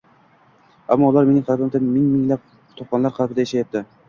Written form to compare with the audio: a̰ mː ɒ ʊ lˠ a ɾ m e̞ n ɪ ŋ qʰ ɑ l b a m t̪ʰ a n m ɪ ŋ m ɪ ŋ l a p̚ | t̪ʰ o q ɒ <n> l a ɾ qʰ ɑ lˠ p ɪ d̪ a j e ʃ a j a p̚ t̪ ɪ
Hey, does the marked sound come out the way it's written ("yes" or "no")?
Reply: yes